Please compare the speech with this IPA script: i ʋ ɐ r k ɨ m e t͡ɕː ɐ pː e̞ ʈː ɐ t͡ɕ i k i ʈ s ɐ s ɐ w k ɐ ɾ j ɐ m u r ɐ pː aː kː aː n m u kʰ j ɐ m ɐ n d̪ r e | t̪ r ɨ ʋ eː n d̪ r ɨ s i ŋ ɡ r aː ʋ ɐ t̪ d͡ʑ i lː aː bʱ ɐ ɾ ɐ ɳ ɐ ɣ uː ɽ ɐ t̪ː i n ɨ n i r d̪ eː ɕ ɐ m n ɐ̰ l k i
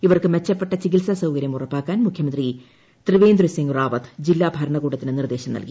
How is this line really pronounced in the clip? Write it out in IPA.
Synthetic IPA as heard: i ʋ ɐ r k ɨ m e t͡ɕː ɐ pː e̞ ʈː ɐ t͡ɕ i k i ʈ s ɐ s ɐ w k ɐ ɾ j ɐ m u r ɐ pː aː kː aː n m u kʰ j ɐ m ɐ n d̪ r i | t̪ r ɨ ʋ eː n d̪ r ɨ s i ŋ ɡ r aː ʋ ɐ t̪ d͡ʑ i lː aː bʱ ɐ ɾ ɐ ɳ ɐ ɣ uː ɽ ɐ t̪ː i n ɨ n i r d̪ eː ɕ ɐ m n ɐ̰ l k i